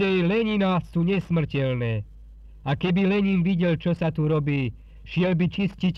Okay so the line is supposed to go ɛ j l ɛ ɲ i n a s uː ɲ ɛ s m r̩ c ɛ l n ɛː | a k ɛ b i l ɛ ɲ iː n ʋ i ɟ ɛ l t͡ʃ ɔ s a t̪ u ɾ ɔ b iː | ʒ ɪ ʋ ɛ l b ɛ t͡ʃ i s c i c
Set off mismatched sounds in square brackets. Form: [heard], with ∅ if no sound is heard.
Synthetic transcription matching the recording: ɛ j l ɛ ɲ i n a s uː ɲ ɛ s m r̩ c ɛ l n ɛː | a k ɛ b i l ɛ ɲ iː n ʋ i ɟ ɛ l t͡ʃ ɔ s a t̪ u ɾ ɔ b iː | [ʃ] ɪ [∅] ɛ l b [i] t͡ʃ i s c i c